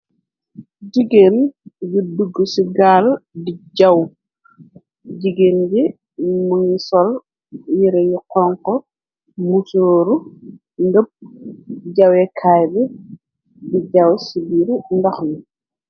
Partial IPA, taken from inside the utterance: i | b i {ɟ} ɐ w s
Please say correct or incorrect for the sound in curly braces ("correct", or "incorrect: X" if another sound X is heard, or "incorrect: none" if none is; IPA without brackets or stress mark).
correct